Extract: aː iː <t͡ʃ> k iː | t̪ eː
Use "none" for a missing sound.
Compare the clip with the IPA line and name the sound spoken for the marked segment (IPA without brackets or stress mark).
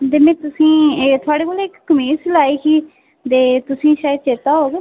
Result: none